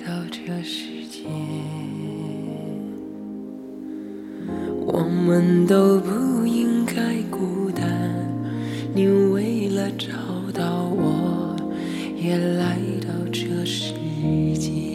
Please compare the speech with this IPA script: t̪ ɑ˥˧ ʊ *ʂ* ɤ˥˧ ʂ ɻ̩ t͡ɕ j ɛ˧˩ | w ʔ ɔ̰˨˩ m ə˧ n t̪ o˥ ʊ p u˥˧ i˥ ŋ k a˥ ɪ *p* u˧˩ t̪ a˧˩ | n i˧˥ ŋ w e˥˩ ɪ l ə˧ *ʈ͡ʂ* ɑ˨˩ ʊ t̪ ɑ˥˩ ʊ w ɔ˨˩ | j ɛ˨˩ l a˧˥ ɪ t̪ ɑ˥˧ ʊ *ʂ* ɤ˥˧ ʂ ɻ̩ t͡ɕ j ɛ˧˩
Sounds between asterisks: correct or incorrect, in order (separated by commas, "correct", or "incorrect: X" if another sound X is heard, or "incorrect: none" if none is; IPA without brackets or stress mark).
incorrect: ʈ͡ʂ, incorrect: k, correct, incorrect: ʈ͡ʂ